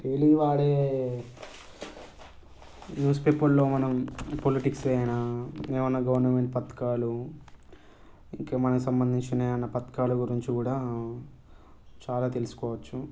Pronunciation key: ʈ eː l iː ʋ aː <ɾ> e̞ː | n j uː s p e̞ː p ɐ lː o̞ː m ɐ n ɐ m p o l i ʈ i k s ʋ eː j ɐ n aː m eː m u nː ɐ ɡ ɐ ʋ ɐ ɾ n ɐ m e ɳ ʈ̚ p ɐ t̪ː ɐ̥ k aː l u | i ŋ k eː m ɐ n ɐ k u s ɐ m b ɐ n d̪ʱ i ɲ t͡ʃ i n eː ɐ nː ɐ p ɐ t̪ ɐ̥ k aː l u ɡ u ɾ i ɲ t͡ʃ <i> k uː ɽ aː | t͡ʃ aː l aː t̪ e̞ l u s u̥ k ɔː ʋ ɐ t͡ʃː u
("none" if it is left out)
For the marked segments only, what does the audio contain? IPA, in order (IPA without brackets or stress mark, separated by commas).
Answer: ɽ, i